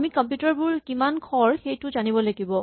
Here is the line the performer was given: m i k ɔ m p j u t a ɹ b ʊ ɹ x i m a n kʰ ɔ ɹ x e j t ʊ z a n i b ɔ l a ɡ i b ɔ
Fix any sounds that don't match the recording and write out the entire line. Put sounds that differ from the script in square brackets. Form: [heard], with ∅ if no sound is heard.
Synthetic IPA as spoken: m i k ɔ m p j u t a ɹ b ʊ ɹ [k] i m a n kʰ ɔ ɹ x e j t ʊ z a n i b ɔ l a ɡ i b ɔ